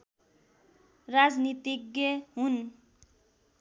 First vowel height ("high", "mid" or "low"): low